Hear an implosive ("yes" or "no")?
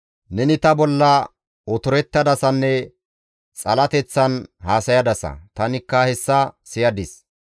no